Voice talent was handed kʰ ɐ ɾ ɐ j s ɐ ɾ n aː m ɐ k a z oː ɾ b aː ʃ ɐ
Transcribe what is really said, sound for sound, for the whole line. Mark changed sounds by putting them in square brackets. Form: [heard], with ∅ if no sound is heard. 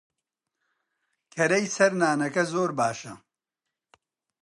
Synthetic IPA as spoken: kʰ ɐ ɾ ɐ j s ɐ ɾ n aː [n] ɐ k [ɐ] z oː ɾ b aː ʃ ɐ